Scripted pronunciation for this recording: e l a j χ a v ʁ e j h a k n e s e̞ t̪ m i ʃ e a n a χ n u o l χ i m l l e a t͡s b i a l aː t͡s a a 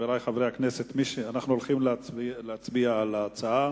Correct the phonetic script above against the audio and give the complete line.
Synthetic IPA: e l a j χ a v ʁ e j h a k n e s e̞ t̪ m i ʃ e a n a χ n u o l χ i m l l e a t͡s b i a l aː t͡s a a

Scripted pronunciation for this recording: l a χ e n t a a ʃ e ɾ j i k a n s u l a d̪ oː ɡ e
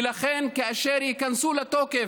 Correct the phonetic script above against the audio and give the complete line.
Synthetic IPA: l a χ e n k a a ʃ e ɾ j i k a n s u l a t̪ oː k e

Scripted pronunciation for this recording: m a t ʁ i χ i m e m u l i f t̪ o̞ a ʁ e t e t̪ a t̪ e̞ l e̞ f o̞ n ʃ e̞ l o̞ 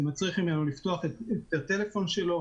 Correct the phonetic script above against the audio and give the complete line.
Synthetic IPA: m a t͡s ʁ i χ i m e n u l i f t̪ o̞ a χ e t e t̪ a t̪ e̞ l e̞ f o̞ n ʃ e̞ l o̞

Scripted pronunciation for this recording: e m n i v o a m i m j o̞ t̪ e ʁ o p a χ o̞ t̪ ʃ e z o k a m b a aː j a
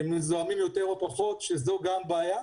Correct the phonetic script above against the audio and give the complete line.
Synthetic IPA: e m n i z o a m i m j o̞ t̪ e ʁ o p a χ o̞ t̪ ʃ e z o ɡ a m b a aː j a

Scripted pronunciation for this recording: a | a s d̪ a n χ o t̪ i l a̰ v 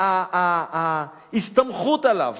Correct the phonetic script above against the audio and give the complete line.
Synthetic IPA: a | i s t̪ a m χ u t̪ a l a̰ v

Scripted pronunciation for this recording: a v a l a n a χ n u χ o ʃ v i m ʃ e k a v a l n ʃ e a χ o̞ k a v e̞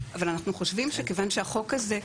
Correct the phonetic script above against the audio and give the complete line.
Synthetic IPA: a v a l a n a χ n u χ o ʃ v i m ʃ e k e v a n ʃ e a χ o̞ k a z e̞

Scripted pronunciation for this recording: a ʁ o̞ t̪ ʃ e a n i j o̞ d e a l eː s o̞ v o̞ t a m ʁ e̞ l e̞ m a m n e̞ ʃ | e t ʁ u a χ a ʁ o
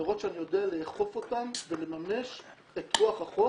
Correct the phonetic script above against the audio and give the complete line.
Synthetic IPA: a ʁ o̞ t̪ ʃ e a n i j o̞ d e a l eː χ o̞ f o̞ t a m v e̞ l e̞ m a m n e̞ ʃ | e t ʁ u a χ a χ o

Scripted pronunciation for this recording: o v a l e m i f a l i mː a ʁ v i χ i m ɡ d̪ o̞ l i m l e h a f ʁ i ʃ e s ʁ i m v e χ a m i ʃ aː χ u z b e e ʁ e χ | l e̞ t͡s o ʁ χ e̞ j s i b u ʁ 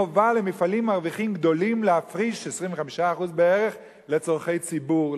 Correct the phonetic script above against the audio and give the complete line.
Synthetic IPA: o v a l e m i f a l i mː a ʁ v i χ i m ɡ d̪ o̞ l i m l e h a f ʁ i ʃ e s ʁ i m v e χ a m i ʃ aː χ u z b e e ʁ e χ | l e̞ t͡s o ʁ χ e̞ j t͡s i b u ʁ

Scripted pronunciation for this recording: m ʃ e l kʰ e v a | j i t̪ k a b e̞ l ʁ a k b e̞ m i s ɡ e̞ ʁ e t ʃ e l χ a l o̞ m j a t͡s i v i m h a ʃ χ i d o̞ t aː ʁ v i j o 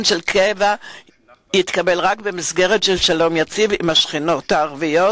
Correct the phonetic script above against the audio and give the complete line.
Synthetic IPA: n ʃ e l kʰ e v a | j i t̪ k a b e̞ l ʁ a k b e̞ m i s ɡ e̞ ʁ e t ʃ e l ʃ a l o̞ m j a t͡s i v i m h a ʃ χ i n o̞ t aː ʁ v i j o

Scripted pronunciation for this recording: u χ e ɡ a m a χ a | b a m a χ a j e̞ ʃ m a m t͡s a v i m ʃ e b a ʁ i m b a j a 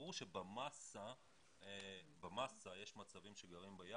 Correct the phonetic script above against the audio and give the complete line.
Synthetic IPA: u ʃ e b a m a s a | b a m a s a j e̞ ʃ m a t͡s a v i m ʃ e ɡ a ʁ i m b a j a

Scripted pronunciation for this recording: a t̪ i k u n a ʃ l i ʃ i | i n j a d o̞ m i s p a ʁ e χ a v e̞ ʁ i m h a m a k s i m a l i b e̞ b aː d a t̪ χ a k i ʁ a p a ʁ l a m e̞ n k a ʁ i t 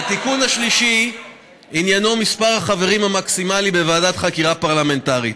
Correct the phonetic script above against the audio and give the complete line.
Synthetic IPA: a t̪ i k u n a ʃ l i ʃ i | i n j a n o̞ m i s p a ʁ a χ a v e̞ ʁ i m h a m a k s i m a l i b e̞ v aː d a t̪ χ a k i ʁ a p a ʁ l a m e̞ n t a ʁ i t

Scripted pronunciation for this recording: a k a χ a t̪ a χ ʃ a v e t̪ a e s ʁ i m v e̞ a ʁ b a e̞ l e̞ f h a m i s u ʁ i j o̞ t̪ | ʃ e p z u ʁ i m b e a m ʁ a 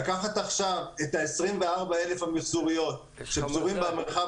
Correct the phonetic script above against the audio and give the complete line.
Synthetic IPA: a k a χ a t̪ a χ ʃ a v e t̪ a e s ʁ i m v e̞ a ʁ b a e̞ l e̞ f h a m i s u ʁ i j o̞ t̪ | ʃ e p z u ʁ i m b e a m χ a

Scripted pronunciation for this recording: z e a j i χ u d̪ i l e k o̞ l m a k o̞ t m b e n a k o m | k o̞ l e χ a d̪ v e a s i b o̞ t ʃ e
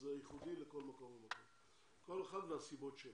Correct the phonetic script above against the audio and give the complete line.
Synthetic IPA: z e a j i χ u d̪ i l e k o̞ l m a k o̞ m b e m a k o m | k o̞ l e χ a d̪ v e a s i b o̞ t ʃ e

